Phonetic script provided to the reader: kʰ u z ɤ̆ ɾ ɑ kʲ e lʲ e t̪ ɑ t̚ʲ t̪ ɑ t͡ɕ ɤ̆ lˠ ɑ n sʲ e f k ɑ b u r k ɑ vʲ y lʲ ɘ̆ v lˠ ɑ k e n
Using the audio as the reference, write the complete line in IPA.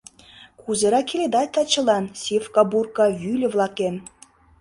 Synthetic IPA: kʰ u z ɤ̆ ɾ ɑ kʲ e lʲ e d̪ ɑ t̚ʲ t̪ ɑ t͡ɕ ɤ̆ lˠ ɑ n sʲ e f k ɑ b u r k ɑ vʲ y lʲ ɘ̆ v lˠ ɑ k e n